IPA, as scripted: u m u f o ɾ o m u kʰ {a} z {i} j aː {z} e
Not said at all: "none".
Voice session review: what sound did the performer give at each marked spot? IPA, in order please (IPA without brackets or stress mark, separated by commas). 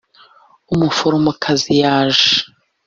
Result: a, i, ʒ